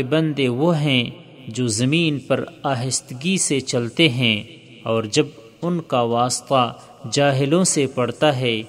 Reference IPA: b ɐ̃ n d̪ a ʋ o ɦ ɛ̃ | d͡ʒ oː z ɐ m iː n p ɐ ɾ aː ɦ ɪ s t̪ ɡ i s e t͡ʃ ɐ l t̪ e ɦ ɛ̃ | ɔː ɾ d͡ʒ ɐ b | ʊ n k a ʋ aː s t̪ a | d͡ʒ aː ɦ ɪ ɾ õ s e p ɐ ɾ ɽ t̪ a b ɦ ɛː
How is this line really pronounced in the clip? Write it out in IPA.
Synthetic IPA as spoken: b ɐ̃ n d̪ e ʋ o ɦ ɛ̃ | d͡ʒ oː z ɐ m iː n p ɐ ɾ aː ɦ ɪ s t̪ ɡ i s e t͡ʃ ɐ l t̪ e ɦ ɛ̃ | ɔː ɾ d͡ʒ ɐ b | ʊ n k a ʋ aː s t̪ a | d͡ʒ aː ɦ ɪ l õ s e p ɐ ɽ t̪ a ɦ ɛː